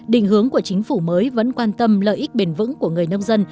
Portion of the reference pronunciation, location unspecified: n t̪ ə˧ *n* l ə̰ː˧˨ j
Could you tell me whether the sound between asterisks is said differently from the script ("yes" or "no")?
yes